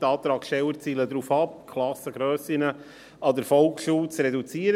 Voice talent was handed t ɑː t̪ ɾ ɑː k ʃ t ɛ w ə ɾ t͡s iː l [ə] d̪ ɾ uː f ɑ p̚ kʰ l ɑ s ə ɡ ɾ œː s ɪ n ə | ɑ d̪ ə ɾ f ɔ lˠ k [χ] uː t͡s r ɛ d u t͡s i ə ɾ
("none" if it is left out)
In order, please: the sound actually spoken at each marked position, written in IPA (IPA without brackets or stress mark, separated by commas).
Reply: ə, ʃ